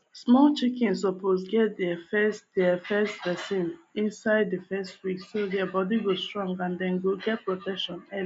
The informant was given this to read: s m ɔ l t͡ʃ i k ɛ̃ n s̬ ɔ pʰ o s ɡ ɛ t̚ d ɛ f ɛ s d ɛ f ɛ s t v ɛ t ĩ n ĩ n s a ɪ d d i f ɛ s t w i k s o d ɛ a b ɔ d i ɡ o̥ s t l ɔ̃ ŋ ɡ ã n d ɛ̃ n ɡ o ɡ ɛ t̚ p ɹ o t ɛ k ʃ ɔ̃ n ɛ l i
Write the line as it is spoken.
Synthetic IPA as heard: s m ɔ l t͡ʃ i k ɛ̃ n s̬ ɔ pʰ o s ɡ ɛ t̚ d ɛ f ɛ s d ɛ f ɛ s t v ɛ s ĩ n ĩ n s a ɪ d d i f ɛ s t w i k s o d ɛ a b ɔ d i ɡ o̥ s t ɹ ɔ̃ ŋ ɡ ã n d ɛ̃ n ɡ o ɡ ɛ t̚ p ɹ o t ɛ k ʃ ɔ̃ n ɛ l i